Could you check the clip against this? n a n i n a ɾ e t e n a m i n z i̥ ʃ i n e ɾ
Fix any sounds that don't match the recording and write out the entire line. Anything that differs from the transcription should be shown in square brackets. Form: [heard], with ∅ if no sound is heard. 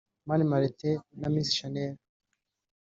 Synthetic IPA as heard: [m] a n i [m] a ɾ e t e n a m i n [s] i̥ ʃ [a] n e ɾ